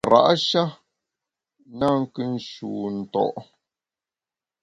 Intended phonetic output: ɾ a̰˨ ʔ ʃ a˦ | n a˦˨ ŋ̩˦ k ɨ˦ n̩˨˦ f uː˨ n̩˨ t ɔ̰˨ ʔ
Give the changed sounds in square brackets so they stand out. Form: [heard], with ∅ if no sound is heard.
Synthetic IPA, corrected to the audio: ɾ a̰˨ ʔ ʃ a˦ | n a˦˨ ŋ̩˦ k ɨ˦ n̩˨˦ [ʃ] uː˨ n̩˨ t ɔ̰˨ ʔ